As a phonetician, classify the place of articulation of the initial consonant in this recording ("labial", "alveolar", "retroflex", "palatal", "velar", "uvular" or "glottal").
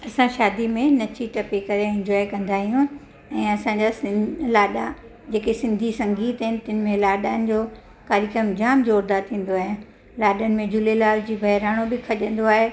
alveolar